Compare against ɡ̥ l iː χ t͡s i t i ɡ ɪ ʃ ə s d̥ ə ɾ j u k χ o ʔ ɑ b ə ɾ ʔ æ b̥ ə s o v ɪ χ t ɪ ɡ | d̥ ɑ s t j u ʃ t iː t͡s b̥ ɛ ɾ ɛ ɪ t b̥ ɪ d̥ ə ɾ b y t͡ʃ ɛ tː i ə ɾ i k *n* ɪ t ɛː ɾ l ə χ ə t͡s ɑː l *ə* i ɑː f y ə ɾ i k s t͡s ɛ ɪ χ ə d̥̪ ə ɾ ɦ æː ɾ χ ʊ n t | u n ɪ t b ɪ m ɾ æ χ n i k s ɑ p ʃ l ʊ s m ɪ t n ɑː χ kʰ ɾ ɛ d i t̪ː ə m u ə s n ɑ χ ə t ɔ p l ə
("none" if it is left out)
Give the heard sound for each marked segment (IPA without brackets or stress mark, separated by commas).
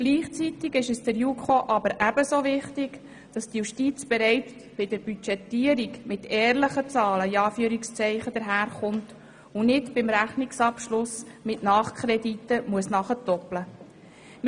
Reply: m, ə